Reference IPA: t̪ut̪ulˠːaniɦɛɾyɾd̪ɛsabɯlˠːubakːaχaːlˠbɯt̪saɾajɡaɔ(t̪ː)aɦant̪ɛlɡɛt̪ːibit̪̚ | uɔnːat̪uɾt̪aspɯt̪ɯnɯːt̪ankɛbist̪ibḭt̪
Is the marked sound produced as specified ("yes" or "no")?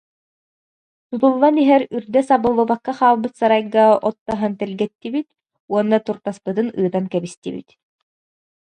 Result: yes